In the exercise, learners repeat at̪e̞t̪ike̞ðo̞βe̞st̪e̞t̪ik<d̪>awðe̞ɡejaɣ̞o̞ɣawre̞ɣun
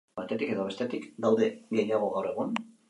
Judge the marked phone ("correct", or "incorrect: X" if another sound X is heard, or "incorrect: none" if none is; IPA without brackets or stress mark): correct